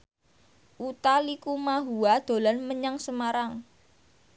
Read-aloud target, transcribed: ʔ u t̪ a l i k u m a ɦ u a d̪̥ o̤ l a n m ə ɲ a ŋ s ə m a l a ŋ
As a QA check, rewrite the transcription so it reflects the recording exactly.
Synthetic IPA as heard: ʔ u t̪ a l i k u m a ɦ u a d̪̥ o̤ l a n m ə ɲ a ŋ s ə m a ɾ a ŋ